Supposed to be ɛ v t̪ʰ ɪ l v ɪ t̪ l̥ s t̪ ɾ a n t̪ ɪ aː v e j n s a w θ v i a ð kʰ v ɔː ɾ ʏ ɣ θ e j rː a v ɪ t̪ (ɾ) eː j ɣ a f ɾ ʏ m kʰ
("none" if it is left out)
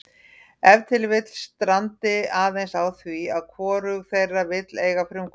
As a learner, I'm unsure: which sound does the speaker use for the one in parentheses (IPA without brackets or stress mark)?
l